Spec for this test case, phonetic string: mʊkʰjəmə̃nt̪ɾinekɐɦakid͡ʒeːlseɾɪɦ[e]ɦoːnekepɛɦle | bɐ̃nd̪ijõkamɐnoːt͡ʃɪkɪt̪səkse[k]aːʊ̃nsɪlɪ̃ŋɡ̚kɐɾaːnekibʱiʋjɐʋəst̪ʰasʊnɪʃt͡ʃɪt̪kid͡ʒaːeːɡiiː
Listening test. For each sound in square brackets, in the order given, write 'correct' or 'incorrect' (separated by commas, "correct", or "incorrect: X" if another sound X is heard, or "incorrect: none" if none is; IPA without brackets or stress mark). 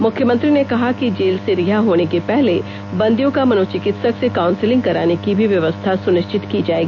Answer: incorrect: a, correct